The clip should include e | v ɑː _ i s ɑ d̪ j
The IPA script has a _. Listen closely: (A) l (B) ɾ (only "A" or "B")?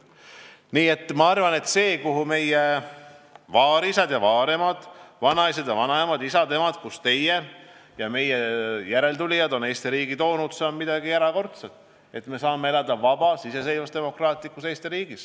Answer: B